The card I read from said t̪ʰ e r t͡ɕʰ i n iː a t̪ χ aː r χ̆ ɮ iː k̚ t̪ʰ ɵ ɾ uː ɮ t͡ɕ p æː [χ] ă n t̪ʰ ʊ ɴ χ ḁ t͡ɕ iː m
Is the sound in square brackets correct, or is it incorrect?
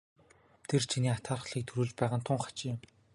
incorrect